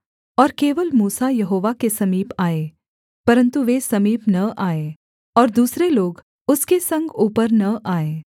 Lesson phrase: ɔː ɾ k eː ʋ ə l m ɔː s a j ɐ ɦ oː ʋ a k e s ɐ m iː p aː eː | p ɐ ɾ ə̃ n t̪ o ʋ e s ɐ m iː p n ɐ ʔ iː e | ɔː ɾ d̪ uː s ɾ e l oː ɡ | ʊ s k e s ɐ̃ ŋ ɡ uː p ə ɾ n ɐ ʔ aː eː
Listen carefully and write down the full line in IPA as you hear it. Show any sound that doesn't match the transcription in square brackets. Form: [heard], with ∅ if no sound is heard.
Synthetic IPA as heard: ɔː ɾ k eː ʋ ə l m [uː] s a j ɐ ɦ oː ʋ a k e s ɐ m iː p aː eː | p ɐ ɾ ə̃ n t̪ [u] ʋ e s ɐ m iː p n ɐ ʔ [aː] e | ɔː ɾ d̪ uː s ɾ e l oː ɡ | ʊ s k e s ɐ̃ ŋ ɡ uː p ə ɾ n ɐ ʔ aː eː